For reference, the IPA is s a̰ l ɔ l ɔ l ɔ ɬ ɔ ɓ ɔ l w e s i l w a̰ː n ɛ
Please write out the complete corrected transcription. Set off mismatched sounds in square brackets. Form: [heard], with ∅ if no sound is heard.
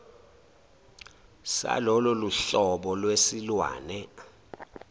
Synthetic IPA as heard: s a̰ l ɔ l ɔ l [u] ɬ ɔ ɓ ɔ l w e s i l w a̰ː n ɛ